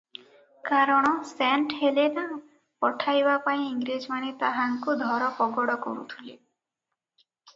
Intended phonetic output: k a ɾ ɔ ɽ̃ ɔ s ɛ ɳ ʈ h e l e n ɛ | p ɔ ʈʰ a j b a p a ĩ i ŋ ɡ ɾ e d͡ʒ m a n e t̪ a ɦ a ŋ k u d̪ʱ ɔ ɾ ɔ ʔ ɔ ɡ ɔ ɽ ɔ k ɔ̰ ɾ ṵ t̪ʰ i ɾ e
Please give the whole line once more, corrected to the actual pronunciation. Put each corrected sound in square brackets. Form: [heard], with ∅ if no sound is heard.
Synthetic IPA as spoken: k a ɾ ɔ ɽ̃ ɔ s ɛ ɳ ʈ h e l e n [a] | p ɔ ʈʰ a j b a p a ĩ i ŋ ɡ ɾ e d͡ʒ m a n e t̪ a ɦ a ŋ k u d̪ʱ ɔ ɾ ɔ [p] ɔ ɡ ɔ ɽ ɔ k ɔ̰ ɾ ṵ t̪ʰ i [l] e

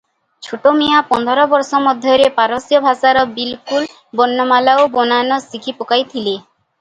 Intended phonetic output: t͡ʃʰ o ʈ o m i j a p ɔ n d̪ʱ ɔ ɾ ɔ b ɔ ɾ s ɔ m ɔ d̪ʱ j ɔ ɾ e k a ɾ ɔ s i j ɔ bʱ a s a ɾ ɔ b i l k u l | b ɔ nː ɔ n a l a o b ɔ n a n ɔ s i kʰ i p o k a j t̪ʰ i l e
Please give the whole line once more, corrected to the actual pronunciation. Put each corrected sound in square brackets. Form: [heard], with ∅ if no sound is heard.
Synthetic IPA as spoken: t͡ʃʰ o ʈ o m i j a p ɔ n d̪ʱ ɔ ɾ ɔ b ɔ ɾ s ɔ m ɔ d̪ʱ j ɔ ɾ e [p] a ɾ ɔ s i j ɔ bʱ a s a ɾ ɔ b i l k u l | b ɔ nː ɔ [m] a l a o b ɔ n a n ɔ s i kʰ i p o k a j t̪ʰ i l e

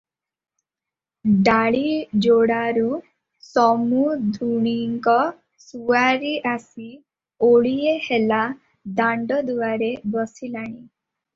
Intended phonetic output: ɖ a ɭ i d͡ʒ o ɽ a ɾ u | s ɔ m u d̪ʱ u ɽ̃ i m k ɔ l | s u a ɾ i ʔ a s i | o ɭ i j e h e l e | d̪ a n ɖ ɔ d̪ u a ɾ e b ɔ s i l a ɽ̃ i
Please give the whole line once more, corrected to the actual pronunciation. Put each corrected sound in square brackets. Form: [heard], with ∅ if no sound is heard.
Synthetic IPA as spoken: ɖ a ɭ i d͡ʒ o ɽ a ɾ u | s ɔ m u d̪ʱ u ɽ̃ i [ŋ] k ɔ [∅] | s u a ɾ i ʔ a s i | o ɭ i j e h e l [a] | d̪ a [ɳ] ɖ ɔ d̪ u a ɾ e b ɔ s i l a ɽ̃ i

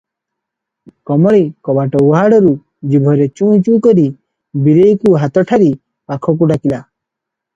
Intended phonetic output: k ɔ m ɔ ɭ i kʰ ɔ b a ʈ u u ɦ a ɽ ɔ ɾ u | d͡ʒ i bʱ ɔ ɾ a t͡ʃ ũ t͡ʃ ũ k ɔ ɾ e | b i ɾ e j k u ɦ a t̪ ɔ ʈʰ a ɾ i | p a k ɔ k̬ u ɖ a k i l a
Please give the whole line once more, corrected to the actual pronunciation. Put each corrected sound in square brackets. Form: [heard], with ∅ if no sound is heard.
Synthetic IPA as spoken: k ɔ m ɔ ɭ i [k] ɔ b a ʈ [ɔ] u ɦ a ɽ ɔ ɾ u | d͡ʒ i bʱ ɔ ɾ [e] t͡ʃ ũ t͡ʃ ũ k ɔ ɾ [i] | b i ɾ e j k u ɦ a t̪ ɔ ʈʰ a ɾ i | p a [kʰ] ɔ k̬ u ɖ a k i l a

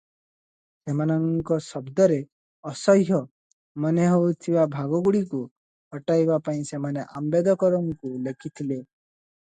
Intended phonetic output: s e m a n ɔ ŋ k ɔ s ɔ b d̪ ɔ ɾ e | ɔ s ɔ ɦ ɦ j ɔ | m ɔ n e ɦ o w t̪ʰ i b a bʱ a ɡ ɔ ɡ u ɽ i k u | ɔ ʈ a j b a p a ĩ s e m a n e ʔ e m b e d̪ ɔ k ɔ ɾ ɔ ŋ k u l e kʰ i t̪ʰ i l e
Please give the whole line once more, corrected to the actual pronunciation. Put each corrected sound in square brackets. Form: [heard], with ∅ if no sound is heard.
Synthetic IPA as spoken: s e m a n ɔ ŋ k ɔ s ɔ b d̪ ɔ ɾ e | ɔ s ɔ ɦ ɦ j ɔ | m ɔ n e ɦ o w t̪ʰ i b a bʱ a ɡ ɔ ɡ u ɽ i k u | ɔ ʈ a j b a p a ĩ s e m a n e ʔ [a] m b e d̪ ɔ k ɔ ɾ ɔ ŋ k u l e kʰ i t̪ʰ i l e

